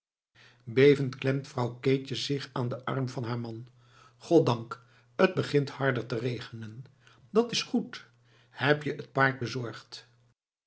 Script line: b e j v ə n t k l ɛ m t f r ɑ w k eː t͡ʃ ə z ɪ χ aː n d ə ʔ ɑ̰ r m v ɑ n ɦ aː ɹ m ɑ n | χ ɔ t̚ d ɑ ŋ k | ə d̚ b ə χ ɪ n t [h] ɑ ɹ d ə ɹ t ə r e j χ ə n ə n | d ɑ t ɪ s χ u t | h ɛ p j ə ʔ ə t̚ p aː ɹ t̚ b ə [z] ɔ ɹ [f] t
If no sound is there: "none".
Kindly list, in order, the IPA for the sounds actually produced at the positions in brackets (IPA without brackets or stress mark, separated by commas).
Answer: h, z, χ